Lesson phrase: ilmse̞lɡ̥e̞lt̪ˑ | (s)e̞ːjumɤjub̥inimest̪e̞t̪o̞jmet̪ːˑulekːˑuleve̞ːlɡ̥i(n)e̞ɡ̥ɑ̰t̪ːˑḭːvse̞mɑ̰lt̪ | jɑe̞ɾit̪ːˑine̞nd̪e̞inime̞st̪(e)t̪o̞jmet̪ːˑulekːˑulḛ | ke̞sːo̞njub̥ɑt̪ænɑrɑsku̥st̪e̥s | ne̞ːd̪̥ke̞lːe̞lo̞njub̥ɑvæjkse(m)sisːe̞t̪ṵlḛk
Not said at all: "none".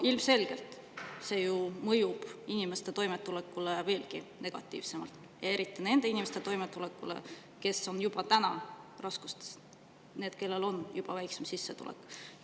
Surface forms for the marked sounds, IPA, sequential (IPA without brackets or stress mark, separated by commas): s, n, e, m